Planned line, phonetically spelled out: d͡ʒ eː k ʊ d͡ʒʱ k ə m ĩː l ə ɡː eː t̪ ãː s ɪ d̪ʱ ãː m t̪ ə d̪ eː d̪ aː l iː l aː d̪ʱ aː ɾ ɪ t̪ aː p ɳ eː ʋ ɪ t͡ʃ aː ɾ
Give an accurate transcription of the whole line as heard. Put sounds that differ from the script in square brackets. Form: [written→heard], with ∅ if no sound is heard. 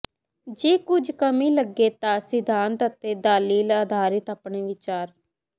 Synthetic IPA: d͡ʒ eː k ʊ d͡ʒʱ k ə m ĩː l ə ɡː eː t̪ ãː s ɪ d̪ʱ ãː [m→n] t̪ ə [d̪→t̪] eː d̪ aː l iː l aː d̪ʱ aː ɾ ɪ t̪ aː p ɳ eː ʋ ɪ t͡ʃ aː ɾ